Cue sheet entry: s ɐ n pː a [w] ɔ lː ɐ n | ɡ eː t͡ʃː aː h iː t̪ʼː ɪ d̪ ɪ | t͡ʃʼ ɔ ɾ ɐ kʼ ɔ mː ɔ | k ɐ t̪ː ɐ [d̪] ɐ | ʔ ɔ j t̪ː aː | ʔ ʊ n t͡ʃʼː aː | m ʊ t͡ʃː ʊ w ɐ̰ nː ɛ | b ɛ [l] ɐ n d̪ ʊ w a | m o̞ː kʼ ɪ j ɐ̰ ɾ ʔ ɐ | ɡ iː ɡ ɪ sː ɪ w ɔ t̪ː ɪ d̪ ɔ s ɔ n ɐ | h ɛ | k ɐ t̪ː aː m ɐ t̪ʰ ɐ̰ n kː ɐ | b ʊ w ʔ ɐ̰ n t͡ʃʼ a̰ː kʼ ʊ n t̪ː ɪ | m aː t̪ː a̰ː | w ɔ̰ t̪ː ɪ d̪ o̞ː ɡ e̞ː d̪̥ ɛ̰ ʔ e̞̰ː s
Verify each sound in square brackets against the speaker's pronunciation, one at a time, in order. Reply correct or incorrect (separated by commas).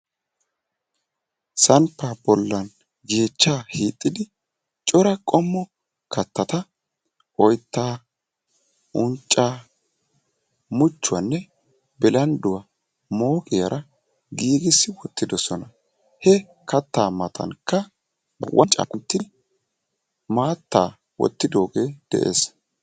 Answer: incorrect, incorrect, correct